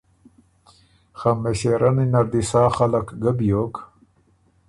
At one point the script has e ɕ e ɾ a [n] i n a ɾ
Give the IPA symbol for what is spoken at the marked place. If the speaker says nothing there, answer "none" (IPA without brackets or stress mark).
n